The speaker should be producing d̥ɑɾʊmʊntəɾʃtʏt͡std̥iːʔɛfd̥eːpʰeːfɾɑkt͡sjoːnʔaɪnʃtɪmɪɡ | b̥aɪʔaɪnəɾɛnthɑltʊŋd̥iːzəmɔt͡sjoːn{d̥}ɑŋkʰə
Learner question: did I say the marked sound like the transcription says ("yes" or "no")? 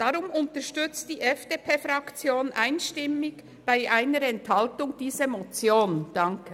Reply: yes